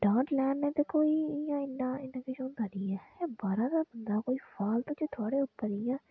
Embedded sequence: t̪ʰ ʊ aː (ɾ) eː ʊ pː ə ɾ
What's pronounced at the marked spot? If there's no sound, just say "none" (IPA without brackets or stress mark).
ɽ